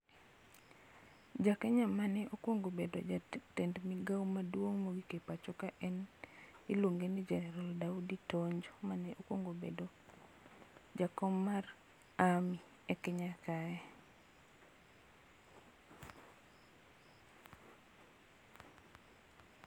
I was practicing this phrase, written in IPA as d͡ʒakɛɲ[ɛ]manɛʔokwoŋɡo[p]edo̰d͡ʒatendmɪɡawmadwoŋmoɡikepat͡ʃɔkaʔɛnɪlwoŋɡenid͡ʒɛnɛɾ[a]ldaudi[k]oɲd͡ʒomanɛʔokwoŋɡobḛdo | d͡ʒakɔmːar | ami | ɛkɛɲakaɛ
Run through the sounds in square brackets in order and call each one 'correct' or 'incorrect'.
incorrect: a, incorrect: b, correct, incorrect: t

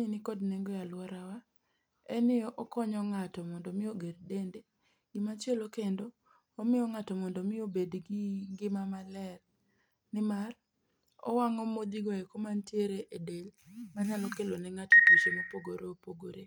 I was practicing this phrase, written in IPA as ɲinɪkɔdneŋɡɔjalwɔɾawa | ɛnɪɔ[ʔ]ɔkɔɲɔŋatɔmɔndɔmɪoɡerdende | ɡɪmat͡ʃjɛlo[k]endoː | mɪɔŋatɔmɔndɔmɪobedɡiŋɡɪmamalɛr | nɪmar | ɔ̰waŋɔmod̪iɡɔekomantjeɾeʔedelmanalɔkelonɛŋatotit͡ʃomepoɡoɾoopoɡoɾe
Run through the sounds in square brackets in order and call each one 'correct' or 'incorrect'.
correct, correct

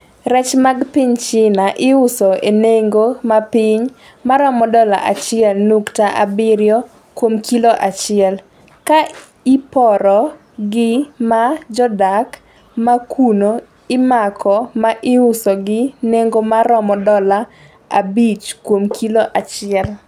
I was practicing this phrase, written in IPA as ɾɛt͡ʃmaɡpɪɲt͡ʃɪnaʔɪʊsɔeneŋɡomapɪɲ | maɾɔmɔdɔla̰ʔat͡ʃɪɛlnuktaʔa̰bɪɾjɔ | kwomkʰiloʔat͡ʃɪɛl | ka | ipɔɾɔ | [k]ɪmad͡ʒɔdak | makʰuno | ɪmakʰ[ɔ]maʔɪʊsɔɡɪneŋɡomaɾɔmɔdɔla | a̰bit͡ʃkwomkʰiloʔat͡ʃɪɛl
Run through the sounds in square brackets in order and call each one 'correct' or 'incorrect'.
incorrect: ɡ, correct

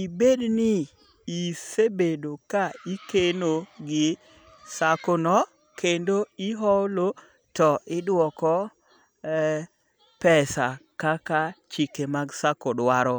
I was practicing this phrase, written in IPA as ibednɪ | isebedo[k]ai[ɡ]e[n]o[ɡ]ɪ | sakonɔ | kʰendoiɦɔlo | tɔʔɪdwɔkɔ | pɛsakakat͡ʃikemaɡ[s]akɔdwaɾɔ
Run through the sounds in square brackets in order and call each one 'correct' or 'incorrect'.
correct, incorrect: k, correct, correct, correct

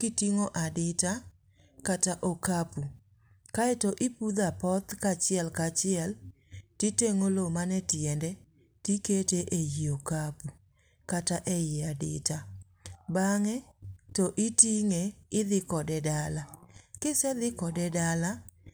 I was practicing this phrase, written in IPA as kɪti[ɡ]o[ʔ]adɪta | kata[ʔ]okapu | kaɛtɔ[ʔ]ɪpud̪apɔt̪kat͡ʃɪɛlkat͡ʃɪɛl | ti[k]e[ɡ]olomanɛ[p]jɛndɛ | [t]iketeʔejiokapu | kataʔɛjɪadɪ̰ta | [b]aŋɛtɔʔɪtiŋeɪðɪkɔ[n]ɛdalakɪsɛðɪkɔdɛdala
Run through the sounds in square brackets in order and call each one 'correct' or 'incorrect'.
incorrect: ŋ, correct, correct, correct, incorrect: t, incorrect: ŋ, incorrect: t, correct, correct, incorrect: d

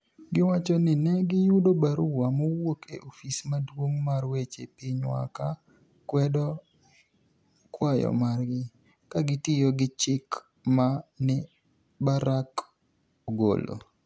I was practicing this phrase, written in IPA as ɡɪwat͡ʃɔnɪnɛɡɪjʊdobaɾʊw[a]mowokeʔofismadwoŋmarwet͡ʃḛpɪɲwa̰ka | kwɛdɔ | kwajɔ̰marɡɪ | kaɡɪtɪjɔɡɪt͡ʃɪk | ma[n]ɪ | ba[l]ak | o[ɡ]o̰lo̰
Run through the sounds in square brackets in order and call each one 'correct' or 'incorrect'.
correct, correct, incorrect: ɾ, correct

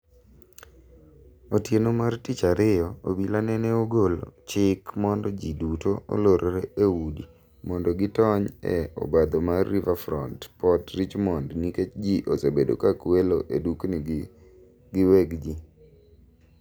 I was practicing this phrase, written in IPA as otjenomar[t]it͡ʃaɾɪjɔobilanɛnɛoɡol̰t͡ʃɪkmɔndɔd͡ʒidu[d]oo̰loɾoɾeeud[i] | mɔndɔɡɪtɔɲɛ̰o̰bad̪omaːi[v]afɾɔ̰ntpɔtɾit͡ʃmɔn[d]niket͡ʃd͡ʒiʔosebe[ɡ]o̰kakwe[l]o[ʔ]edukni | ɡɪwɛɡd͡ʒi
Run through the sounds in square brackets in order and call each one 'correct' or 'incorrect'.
correct, incorrect: t, correct, correct, correct, incorrect: d, correct, correct

